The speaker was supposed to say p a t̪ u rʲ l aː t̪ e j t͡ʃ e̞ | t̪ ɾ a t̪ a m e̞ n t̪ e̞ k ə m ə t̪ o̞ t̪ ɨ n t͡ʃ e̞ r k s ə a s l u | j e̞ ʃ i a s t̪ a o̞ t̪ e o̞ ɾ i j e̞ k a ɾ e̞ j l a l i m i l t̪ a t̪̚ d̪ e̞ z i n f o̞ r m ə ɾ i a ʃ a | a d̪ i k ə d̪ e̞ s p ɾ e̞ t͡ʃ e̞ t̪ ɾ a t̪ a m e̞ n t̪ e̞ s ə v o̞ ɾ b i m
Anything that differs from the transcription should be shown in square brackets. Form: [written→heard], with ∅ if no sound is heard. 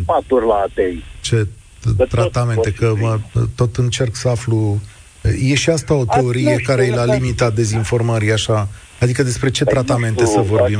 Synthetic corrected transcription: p a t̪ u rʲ l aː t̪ e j t͡ʃ e̞ | t̪ ɾ a t̪ a m e̞ n t̪ e̞ k ə m ə t̪ o̞ t̪ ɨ n t͡ʃ e̞ r k s ə a [s→f] l u | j e̞ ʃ i a s t̪ a o̞ t̪ e o̞ ɾ i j e̞ k a ɾ e̞ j l a l i m i [l→∅] t̪ a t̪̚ d̪ e̞ z i n f o̞ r m ə ɾ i a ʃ a | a d̪ i k ə d̪ e̞ s p ɾ e̞ t͡ʃ e̞ t̪ ɾ a t̪ a m e̞ n t̪ e̞ s ə v o̞ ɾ b i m